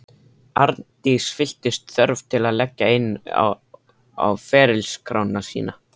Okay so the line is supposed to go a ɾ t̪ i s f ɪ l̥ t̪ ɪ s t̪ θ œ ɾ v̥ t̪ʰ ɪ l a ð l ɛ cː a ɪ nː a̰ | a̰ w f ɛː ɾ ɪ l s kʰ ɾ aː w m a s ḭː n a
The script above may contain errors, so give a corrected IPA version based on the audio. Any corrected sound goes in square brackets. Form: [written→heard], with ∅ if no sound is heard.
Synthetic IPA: a ɾ t̪ i s f ɪ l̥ t̪ ɪ s t̪ θ œ ɾ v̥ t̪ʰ ɪ l a ð l ɛ cː a ɪ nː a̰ | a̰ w f ɛː ɾ ɪ l s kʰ ɾ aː w [m→n] a s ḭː n a